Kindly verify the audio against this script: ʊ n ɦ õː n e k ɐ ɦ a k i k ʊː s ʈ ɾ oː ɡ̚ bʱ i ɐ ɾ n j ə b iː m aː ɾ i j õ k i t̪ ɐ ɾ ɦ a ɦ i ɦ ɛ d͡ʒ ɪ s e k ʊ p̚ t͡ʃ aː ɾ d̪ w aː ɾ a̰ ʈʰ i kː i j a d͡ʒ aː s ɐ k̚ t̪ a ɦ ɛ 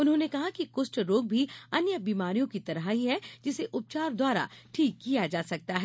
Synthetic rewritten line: ʊ n ɦ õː n e k ɐ ɦ a k i k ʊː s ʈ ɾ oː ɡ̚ bʱ i ɐ n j ə b iː m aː ɾ i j õ k i t̪ ɐ ɾ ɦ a ɦ i ɦ ɛ d͡ʒ ɪ s e ʔ ʊ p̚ t͡ʃ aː ɾ d̪ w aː ɾ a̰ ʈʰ iː kː i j a d͡ʒ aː s ɐ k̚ t̪ a ɦ ɛ